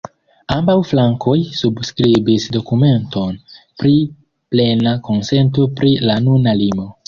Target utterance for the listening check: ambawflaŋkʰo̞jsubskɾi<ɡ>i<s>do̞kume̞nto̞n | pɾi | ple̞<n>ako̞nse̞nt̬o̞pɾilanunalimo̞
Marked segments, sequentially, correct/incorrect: incorrect, correct, correct

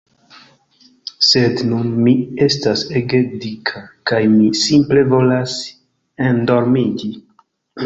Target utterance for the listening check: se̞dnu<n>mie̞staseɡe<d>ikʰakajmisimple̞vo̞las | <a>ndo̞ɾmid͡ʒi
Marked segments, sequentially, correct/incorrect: correct, correct, incorrect

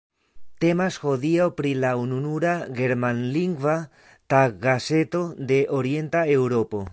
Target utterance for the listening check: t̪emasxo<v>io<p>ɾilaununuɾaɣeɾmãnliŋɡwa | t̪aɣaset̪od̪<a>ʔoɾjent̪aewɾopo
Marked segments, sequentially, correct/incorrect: incorrect, correct, incorrect

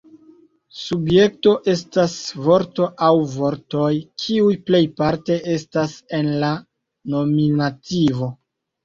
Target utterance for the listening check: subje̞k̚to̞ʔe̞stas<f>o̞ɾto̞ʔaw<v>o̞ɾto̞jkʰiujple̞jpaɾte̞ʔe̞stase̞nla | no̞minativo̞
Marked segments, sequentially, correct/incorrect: incorrect, correct

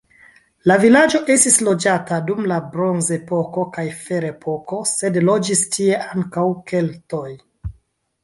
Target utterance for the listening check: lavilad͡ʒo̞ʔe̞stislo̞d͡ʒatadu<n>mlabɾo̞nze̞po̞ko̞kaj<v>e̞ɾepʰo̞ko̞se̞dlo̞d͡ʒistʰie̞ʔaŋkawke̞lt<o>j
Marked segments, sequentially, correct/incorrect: incorrect, incorrect, correct

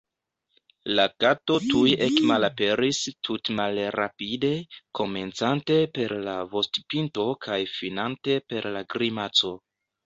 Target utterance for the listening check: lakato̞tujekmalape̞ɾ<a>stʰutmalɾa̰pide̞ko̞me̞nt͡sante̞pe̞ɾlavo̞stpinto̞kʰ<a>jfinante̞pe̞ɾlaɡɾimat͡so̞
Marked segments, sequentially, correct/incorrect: incorrect, correct

